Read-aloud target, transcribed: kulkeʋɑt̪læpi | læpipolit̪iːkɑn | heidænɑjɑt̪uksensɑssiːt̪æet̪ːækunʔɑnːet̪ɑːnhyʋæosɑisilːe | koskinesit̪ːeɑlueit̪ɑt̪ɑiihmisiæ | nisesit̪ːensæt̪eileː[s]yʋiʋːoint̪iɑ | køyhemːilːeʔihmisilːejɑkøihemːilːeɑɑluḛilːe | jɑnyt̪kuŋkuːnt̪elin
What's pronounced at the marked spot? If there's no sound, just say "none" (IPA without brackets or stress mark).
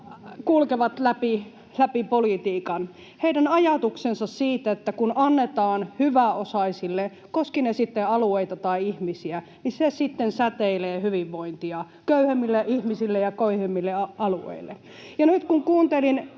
h